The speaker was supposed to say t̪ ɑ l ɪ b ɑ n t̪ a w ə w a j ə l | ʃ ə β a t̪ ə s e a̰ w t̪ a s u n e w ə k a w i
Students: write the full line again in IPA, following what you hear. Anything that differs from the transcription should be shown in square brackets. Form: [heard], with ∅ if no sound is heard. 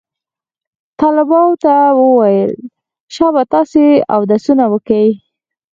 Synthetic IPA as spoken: t̪ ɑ l ɪ b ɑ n t̪ a w ə w a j ə l | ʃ [ɑ] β a t̪ [ɑ] s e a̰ w [d̪] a s u n [a] w ə k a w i